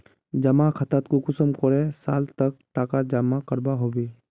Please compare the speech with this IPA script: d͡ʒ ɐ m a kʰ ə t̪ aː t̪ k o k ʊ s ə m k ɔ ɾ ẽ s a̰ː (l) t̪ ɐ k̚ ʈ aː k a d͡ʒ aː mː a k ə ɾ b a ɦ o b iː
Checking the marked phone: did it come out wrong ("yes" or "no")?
no